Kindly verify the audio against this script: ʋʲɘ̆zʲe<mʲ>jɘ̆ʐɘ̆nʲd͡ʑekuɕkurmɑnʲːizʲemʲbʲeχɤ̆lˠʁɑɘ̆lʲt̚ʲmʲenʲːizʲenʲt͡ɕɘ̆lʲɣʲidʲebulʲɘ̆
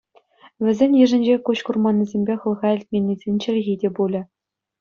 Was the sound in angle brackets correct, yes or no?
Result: no